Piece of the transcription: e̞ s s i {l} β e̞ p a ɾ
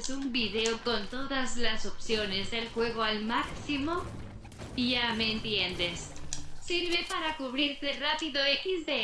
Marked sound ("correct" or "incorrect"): incorrect